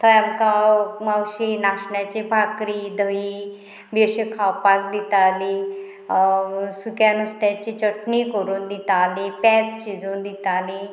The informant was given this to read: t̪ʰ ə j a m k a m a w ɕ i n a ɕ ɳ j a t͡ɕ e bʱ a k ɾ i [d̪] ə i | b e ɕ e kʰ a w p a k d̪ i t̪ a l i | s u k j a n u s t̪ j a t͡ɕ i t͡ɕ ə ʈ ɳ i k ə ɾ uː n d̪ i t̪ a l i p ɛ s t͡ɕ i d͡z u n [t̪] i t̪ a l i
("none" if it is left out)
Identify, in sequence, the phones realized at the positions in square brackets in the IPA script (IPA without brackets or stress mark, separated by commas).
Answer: d̪, d̪